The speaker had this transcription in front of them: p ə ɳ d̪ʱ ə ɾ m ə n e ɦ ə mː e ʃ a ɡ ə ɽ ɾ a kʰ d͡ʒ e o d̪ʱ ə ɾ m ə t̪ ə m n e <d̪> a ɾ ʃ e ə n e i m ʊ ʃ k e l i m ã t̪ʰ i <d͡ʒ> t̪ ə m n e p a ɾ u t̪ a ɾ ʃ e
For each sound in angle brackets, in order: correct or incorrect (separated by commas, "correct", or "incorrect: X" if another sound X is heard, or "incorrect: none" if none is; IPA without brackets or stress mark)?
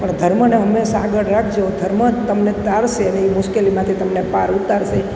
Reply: incorrect: t̪, incorrect: none